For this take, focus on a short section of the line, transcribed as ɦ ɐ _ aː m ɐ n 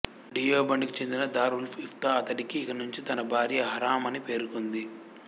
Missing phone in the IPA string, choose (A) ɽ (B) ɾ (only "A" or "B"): B